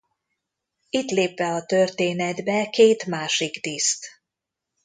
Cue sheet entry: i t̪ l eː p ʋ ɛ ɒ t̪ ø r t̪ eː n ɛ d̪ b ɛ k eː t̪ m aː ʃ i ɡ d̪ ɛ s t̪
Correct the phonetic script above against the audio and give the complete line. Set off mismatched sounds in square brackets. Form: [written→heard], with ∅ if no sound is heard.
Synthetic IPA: i t̪ l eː p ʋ ɛ ɒ t̪ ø r t̪ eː n ɛ d̪ b ɛ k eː t̪ m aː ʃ i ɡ d̪ [ɛ→i] s t̪